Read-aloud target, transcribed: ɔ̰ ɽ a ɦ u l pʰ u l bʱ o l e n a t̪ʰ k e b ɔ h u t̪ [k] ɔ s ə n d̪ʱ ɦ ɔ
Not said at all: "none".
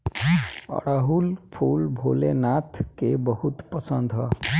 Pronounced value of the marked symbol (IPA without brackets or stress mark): p